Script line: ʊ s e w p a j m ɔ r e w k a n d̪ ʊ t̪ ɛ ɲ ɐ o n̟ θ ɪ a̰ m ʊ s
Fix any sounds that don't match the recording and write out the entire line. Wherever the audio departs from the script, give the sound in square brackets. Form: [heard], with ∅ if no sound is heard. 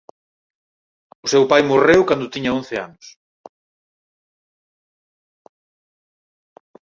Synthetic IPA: ʊ s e w p a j m [o] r e w k a n d̪ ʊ t̪ [i] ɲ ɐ o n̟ θ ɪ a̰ [n] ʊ s